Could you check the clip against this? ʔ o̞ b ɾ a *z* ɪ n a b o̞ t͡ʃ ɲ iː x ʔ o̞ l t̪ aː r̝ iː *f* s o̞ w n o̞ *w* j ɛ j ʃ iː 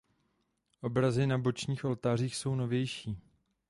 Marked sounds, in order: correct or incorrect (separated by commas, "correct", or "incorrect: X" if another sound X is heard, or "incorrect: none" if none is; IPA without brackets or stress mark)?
correct, incorrect: x, incorrect: v